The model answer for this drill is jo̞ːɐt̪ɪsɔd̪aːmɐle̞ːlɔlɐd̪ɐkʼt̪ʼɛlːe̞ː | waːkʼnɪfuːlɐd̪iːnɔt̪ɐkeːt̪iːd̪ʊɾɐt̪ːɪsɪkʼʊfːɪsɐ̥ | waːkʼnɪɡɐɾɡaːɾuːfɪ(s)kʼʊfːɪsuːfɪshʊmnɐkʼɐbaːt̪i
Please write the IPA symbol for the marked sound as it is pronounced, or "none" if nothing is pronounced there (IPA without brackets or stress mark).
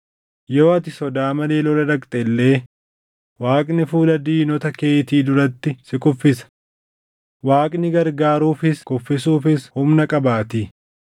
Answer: s